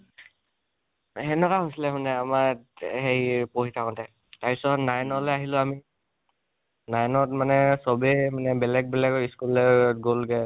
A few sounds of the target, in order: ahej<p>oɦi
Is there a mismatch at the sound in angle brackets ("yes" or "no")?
no